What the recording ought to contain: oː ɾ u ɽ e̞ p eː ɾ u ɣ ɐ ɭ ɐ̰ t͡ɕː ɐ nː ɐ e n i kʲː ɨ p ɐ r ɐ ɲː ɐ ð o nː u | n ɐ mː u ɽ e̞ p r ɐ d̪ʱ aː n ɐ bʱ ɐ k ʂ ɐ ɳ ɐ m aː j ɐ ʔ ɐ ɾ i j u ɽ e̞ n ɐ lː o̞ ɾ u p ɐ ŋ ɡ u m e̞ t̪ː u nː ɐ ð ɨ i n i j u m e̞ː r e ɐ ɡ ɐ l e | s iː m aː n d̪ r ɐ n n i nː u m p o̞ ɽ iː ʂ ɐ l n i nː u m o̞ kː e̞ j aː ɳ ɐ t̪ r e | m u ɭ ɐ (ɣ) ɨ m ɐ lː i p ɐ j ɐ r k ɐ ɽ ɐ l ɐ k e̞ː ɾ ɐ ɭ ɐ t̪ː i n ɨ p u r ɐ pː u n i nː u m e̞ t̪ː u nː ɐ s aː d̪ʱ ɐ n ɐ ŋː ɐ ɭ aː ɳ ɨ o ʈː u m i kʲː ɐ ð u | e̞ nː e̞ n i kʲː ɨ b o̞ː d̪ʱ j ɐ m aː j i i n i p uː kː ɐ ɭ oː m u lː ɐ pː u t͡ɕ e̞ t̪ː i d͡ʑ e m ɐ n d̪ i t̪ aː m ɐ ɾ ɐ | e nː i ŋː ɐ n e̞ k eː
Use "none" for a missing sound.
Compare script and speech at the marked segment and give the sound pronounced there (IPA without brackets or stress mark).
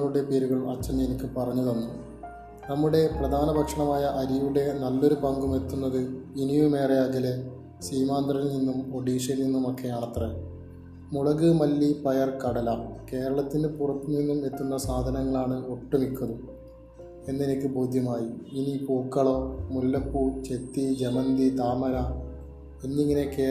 ɣ